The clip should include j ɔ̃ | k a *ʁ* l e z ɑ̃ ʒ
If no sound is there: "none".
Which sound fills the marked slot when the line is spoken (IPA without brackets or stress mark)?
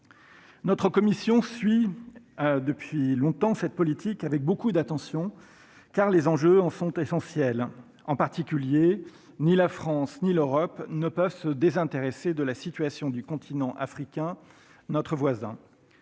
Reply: ʁ